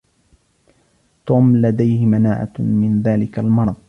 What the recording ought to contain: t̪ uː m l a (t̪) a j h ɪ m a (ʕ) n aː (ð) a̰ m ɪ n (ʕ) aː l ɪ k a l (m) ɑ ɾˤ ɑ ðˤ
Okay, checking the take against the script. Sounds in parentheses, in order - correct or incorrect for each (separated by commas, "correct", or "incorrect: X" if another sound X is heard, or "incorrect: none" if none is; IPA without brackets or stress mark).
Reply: incorrect: d̪, incorrect: none, incorrect: ʕ, incorrect: ð, correct